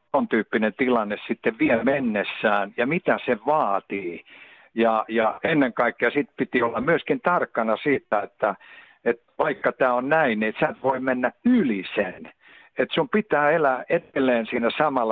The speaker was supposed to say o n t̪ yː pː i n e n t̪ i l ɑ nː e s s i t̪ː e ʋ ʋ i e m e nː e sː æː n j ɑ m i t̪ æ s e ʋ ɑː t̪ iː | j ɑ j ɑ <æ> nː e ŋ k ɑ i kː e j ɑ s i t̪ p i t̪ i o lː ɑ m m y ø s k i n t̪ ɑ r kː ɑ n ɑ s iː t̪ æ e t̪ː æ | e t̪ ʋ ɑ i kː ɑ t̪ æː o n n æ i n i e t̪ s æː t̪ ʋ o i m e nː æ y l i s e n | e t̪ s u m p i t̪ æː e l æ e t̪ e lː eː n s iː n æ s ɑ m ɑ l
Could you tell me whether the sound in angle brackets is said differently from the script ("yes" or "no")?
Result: yes